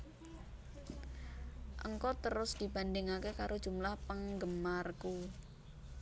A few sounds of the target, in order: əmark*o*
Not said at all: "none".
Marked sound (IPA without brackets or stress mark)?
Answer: u